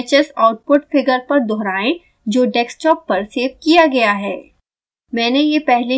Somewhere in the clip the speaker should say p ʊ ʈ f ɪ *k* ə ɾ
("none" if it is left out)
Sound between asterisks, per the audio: ɡ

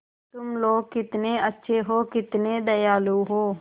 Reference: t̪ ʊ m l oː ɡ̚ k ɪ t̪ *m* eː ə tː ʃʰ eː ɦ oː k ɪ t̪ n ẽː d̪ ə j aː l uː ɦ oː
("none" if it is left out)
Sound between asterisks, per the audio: n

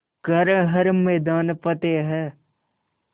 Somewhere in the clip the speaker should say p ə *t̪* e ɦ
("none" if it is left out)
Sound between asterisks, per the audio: t̪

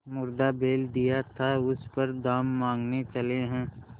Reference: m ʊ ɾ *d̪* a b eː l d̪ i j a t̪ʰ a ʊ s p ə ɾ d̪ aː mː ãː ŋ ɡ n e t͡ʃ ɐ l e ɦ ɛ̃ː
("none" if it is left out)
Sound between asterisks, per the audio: d̪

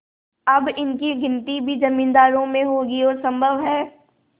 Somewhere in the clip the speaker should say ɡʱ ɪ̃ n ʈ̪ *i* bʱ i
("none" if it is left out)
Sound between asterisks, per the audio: i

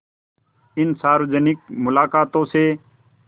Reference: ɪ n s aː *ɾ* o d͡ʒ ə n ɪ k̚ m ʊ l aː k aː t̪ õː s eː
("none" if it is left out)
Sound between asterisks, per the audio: ɾ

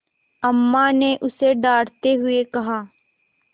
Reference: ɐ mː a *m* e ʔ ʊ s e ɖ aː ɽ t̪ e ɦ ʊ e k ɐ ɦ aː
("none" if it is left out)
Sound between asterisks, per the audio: n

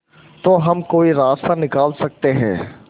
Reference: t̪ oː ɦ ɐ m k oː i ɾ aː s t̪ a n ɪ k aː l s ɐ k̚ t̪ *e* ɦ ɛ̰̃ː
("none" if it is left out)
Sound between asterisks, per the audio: e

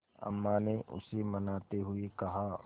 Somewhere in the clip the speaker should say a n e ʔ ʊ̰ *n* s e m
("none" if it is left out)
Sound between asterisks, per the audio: none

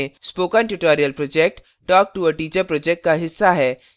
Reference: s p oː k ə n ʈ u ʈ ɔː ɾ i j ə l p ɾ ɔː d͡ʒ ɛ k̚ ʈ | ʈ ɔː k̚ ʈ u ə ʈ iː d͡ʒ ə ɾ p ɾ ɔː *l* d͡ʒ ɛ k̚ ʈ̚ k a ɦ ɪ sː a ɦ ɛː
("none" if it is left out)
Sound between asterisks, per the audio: none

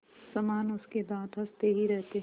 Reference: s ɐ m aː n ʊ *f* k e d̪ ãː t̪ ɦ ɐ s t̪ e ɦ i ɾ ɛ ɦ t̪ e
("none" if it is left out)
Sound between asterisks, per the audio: s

